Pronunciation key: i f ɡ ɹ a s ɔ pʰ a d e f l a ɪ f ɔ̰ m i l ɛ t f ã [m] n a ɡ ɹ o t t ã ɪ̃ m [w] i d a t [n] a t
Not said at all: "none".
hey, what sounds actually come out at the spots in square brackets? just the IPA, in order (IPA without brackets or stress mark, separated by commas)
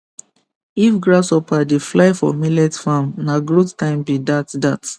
m, b, d